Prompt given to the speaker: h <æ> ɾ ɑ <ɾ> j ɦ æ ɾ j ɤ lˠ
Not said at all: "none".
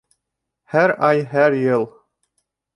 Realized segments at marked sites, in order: æ, none

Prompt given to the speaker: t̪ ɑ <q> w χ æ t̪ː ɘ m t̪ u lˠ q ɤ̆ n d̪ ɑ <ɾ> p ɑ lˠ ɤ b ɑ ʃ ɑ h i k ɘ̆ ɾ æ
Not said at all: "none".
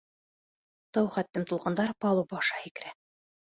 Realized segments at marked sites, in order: none, ɾ

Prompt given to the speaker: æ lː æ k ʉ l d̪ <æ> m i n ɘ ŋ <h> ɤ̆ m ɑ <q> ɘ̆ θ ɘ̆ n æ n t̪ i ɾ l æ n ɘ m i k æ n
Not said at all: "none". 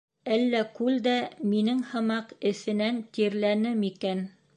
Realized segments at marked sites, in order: æ, h, q

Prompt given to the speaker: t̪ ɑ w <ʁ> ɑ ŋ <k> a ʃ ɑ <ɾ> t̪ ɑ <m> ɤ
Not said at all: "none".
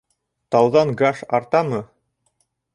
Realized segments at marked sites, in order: ð, ɡ, ɾ, m

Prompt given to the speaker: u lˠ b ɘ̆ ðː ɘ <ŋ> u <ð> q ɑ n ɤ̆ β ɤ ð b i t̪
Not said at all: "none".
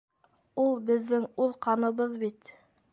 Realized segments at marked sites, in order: ŋ, ð

